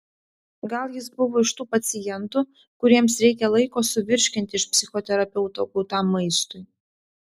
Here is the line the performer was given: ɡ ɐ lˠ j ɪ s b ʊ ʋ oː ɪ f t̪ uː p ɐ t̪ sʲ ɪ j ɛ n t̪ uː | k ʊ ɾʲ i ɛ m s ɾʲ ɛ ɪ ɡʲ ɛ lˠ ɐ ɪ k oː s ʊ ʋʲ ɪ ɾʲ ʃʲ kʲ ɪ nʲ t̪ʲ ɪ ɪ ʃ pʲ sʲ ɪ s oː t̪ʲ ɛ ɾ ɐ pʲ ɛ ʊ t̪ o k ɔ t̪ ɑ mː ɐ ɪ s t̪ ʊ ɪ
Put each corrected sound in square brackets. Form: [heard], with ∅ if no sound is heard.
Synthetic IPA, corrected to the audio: ɡ ɐ lˠ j ɪ s b ʊ ʋ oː ɪ [ʃ] t̪ uː p ɐ t̪ sʲ ɪ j ɛ n t̪ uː | k ʊ ɾʲ i ɛ m s ɾʲ ɛ ɪ [kʲ] ɛ lˠ ɐ ɪ k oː s ʊ ʋʲ ɪ ɾʲ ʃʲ kʲ ɪ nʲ t̪ʲ ɪ ɪ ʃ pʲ sʲ ɪ [x] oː t̪ʲ ɛ ɾ ɐ pʲ ɛ ʊ t̪ o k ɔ t̪ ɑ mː ɐ ɪ s t̪ ʊ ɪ